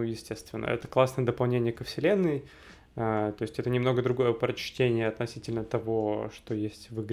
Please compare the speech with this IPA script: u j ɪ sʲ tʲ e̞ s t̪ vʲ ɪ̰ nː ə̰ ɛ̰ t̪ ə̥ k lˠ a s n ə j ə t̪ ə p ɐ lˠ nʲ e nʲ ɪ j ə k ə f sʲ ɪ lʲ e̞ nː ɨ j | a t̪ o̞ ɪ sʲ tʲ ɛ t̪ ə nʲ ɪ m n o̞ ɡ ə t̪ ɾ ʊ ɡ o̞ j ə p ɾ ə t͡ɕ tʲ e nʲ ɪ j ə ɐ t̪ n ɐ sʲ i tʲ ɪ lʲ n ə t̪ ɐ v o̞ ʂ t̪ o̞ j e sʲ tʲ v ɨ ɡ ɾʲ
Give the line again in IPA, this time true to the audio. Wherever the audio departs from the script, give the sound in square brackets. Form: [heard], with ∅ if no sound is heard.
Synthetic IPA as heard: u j ɪ sʲ tʲ e̞ s t̪ vʲ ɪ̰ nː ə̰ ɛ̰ t̪ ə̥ k lˠ a s n ə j ə [d̪] ə p ɐ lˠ nʲ e nʲ ɪ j ə k ə f sʲ ɪ lʲ e̞ nː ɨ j | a t̪ o̞ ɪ sʲ tʲ ɛ t̪ ə nʲ ɪ m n o̞ ɡ ə [d̪] ɾ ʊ ɡ o̞ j ə p ɾ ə t͡ɕ tʲ e nʲ ɪ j ə ɐ t̪ n ɐ sʲ i tʲ ɪ lʲ n ə t̪ ɐ v o̞ ʂ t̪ o̞ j e sʲ tʲ v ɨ ɡ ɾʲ